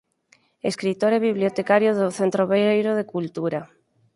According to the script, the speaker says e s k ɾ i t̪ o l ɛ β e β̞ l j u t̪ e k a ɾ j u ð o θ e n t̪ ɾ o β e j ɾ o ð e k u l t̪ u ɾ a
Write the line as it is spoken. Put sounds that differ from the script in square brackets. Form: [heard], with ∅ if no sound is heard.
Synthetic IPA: e s k ɾ i t̪ o [ɾ] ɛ β [i] β̞ l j [o] t̪ e k a ɾ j [o] ð o θ e n t̪ ɾ o β e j ɾ o ð e k u l t̪ u ɾ a

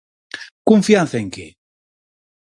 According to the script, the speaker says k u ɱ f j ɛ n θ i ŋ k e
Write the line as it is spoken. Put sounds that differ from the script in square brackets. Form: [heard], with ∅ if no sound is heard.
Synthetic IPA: k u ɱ f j [a] n θ [e] ŋ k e

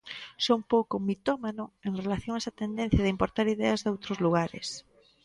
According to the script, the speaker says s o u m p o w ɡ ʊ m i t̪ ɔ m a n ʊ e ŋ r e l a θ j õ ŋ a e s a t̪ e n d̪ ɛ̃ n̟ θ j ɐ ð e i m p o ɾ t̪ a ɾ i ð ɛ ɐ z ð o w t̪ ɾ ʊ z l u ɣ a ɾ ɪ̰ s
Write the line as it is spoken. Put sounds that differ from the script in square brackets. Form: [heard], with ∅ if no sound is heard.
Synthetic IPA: s o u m p o w [k] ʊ m i t̪ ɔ m a n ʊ e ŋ r e l a θ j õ ŋ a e s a t̪ e n d̪ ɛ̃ n̟ θ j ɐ ð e i m p o ɾ t̪ a ɾ i ð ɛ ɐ z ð o w t̪ ɾ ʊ z l u ɣ a ɾ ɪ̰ s

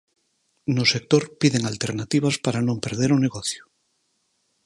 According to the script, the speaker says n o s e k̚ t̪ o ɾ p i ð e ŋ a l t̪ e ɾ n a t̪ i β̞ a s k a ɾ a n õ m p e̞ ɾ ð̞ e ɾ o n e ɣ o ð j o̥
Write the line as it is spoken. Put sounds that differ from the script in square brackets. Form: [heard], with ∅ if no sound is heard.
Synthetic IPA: n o s e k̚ t̪ o ɾ p i ð e ŋ a l t̪ e ɾ n a t̪ i β̞ a s [p] a ɾ a n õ m p e̞ ɾ ð̞ e ɾ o n e ɣ o [θ] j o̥

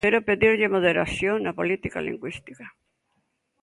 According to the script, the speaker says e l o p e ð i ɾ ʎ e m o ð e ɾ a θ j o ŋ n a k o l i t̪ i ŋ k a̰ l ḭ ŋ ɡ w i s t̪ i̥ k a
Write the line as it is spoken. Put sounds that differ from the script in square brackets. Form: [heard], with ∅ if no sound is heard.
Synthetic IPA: e [ɾ] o p e ð i ɾ ʎ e m o ð e ɾ a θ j o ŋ n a [p] o l i t̪ i [∅] k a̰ l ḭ ŋ ɡ w i s t̪ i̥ k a

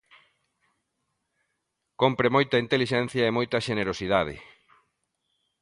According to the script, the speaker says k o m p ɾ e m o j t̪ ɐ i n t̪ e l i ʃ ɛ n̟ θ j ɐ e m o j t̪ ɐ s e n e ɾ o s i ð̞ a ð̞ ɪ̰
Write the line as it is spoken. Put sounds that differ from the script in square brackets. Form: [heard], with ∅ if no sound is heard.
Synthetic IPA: k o m p ɾ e m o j t̪ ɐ i n t̪ e l i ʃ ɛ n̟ θ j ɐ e m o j t̪ ɐ [ʃ] e n e ɾ o s i ð̞ a ð̞ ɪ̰

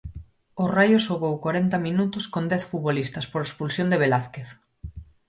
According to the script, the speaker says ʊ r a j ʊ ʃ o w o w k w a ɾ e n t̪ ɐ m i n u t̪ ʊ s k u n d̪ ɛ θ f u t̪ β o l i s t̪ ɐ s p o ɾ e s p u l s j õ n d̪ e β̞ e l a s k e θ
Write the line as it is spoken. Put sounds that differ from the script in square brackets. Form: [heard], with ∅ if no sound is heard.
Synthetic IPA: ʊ r a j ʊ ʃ o [ɣ] o w k w a ɾ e n t̪ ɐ m i n u t̪ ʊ s k [o] n d̪ ɛ θ f u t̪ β o l i s t̪ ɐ s p o ɾ e s p u l s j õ n d̪ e β̞ e l a [θ] k e θ

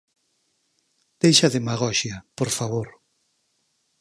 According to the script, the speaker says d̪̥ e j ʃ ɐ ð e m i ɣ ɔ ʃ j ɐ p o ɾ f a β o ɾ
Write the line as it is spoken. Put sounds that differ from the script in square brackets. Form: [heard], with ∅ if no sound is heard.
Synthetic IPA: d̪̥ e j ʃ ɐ ð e m [a] ɣ ɔ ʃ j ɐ p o ɾ f a β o ɾ

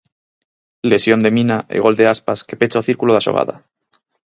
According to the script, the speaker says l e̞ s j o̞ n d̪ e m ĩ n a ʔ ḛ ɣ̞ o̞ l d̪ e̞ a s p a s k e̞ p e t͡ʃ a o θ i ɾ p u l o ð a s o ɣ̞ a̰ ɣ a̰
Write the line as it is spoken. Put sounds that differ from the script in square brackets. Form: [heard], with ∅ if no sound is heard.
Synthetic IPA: l e̞ s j o̞ n d̪ e m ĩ n a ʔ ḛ ɣ̞ o̞ l d̪ e̞ a s p a s k e̞ p e t͡ʃ a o θ i ɾ [k] u l o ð a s o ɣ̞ a̰ [ð] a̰

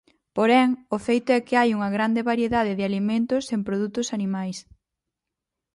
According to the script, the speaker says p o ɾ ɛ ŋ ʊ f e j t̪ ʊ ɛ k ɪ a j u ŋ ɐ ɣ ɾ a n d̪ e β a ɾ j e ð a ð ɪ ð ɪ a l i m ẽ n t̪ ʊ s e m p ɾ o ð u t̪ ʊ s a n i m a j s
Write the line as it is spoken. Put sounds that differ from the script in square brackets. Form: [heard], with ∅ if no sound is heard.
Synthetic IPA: p o ɾ ɛ ŋ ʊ f e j t̪ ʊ ɛ k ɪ a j u ŋ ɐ ɣ ɾ a n d̪ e β a ɾ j e ð a ð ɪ ð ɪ a l i m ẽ n t̪ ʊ s e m p ɾ o ð u t̪ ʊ s a n i m a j s

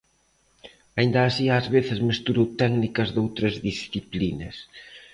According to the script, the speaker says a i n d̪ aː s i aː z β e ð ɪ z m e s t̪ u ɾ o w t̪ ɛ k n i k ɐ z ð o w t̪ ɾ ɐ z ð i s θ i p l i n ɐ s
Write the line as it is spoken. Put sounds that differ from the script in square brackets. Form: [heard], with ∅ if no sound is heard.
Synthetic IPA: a i n d̪ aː s i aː z β e [θ] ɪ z m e s t̪ u ɾ o w t̪ ɛ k n i k ɐ z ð o w t̪ ɾ ɐ z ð i s θ i p l i n ɐ s

